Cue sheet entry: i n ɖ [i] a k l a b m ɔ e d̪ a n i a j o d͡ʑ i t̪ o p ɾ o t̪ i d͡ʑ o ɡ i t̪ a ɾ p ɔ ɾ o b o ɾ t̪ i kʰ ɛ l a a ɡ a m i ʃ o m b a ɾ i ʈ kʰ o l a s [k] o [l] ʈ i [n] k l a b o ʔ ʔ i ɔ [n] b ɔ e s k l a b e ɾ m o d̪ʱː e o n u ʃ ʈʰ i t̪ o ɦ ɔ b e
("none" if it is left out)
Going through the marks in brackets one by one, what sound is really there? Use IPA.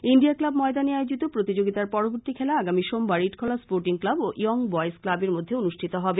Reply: i, p, ɾ, ŋ, ŋ

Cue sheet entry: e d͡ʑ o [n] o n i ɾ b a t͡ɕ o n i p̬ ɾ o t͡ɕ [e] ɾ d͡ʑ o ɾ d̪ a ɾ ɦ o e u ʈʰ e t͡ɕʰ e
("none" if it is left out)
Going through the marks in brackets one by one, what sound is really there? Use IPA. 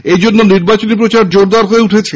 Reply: nː, a

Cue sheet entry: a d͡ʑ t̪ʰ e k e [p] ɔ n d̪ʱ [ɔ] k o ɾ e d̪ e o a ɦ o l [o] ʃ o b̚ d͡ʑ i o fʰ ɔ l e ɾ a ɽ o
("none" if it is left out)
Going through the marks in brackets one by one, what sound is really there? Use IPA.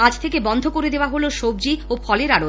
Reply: b, o, o

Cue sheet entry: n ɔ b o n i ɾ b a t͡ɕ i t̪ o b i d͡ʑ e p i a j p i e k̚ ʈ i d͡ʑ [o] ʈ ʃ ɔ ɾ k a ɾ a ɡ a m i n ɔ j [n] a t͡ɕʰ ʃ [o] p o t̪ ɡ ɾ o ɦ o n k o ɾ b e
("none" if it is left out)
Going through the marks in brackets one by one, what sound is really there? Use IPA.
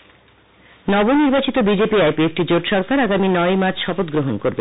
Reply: o, m, ɔ

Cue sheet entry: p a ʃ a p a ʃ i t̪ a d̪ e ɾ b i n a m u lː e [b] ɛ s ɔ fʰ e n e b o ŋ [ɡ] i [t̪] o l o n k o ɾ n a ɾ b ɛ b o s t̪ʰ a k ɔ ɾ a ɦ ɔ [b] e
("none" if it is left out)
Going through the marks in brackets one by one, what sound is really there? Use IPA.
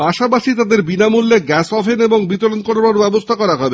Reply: ɡ, b, t̪, b

